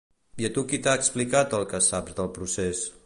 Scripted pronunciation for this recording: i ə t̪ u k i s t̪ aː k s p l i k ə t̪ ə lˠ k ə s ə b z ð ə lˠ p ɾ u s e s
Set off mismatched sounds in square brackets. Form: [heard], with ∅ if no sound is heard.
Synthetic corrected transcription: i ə t̪ u k i [∅] t̪ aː k s p l i k [a] t̪ ə lˠ k ə s [a] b z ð ə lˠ p ɾ u s e s

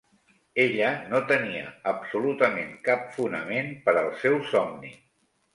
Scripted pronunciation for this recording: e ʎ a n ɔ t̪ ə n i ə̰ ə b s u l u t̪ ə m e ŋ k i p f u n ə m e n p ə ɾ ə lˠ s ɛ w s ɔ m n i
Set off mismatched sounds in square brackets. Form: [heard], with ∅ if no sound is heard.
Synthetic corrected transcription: e ʎ [ə] n [o] t̪ ə n i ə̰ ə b s u l u t̪ ə m e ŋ k [a] p f u n ə m e n p ə ɾ ə lˠ s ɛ w s ɔ m n i

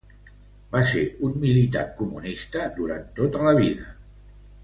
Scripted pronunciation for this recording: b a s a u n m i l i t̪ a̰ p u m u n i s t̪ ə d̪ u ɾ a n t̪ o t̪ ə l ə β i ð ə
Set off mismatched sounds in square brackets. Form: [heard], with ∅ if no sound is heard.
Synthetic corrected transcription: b a s [e] u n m i l i t̪ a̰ [k] u m u n i s t̪ ə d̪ u ɾ a n t̪ o t̪ ə l ə β i ð ə

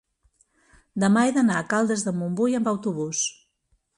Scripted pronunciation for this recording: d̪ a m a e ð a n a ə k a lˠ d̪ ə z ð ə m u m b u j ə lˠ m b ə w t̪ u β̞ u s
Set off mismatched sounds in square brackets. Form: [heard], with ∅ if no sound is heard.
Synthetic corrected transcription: d̪ [ə] m a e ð [ə] n a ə k a lˠ d̪ ə z ð ə m u m b u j ə [∅] m b ə w t̪ u β̞ u s

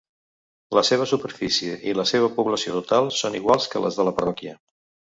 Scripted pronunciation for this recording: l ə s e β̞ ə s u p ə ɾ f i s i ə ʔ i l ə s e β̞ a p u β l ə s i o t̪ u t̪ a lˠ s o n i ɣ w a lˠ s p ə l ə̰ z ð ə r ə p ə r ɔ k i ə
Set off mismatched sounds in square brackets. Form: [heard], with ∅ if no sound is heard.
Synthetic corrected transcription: l ə s e β̞ ə s u p ə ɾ f i s i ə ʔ i l ə s e β̞ [ə] p u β l ə s i o t̪ u t̪ a lˠ s o n i ɣ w a lˠ s [k] ə l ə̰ z ð ə [l] ə p ə r ɔ k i ə

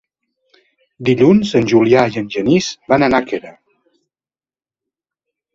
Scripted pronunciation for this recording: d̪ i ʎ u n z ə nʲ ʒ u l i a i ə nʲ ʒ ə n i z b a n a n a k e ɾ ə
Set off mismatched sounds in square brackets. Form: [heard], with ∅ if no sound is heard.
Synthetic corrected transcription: d̪ i ʎ u n z ə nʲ ʒ u l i a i ə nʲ ʒ ə n i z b a n [ə] n a k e ɾ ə

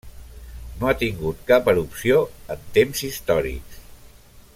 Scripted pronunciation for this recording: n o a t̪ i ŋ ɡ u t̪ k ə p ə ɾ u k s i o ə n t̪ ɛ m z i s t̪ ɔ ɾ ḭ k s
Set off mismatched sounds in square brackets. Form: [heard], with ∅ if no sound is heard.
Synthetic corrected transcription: n o a t̪ i ŋ ɡ u t̪ k [a] p ə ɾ u [p] s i o ə n t̪ [e] m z i s t̪ ɔ ɾ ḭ k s

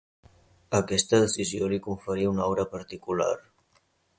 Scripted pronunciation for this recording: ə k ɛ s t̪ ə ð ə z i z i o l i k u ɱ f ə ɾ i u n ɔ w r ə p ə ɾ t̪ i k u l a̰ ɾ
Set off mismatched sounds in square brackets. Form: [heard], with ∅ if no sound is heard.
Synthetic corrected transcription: ə k ɛ s t̪ ə ð ə [s] i z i o l i k u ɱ f ə ɾ i u n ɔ w [ɾ] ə p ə ɾ t̪ i k u l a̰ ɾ

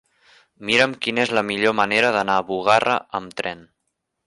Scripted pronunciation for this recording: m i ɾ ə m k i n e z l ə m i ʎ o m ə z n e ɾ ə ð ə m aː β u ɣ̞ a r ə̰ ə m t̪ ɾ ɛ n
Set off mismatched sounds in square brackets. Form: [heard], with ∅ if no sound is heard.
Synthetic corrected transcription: m i ɾ ə m k i n e z l ə m i ʎ o m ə [∅] n e ɾ ə ð ə [n] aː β u ɣ̞ a r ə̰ ə m t̪ ɾ ɛ n

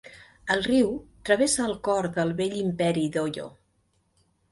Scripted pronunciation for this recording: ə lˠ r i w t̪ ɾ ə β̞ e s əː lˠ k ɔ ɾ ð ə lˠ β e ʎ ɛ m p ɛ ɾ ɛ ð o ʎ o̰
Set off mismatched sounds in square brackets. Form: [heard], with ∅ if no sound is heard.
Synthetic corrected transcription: ə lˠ r i w t̪ ɾ ə β̞ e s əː lˠ k ɔ ɾ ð ə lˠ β e ʎ [i] m p ɛ ɾ [i] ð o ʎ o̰

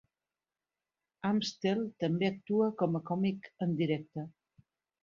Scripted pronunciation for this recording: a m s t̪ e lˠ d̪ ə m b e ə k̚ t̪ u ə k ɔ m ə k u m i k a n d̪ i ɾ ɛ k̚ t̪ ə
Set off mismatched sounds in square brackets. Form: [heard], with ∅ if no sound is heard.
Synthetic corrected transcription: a m s t̪ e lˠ [t̪] ə m b e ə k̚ t̪ u ə k ɔ m ə k [ɔ] m i k [ə] n d̪ i ɾ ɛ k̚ t̪ ə

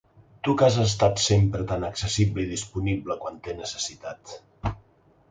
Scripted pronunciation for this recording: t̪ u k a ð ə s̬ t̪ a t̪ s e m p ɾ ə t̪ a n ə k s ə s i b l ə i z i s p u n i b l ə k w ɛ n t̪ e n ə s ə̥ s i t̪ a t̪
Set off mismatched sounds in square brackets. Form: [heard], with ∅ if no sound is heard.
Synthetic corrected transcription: t̪ u k a [z] ə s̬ t̪ a t̪ s e m p ɾ ə t̪ a n ə k s ə s i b l ə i [ð] i s p u n i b l ə k w [a] n t̪ e n ə s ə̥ s i t̪ a t̪

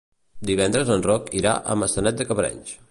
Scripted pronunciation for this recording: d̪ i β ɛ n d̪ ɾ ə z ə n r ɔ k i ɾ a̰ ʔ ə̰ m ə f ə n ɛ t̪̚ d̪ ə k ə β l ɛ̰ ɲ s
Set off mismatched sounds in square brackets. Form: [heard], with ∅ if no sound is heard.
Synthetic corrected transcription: d̪ i β ɛ n d̪ ɾ ə z ə n r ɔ k i ɾ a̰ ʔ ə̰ m ə [s] ə n ɛ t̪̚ d̪ ə k ə β [ɾ] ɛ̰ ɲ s

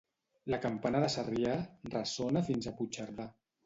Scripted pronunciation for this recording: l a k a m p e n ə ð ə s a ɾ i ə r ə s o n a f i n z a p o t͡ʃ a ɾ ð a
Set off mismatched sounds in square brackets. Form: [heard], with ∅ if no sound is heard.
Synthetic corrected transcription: l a k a m p [a] n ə ð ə s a [r] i [a] r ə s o n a f i n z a p [u] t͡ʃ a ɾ ð a

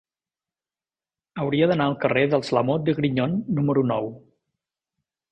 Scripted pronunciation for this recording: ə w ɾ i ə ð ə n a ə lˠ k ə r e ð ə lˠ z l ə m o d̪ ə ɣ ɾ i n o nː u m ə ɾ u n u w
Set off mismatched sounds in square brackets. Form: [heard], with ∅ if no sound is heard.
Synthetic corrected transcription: ə w ɾ i ə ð ə n a ə lˠ k ə r e ð ə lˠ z l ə m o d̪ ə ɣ ɾ i [ɲ] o nː u m ə ɾ u n [ɔ] w

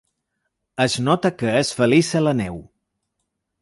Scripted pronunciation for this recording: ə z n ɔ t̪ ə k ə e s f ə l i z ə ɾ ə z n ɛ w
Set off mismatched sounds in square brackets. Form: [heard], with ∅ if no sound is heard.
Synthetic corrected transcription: ə z n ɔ t̪ ə k ə e s f ə l i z ə [l] ə [∅] n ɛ w

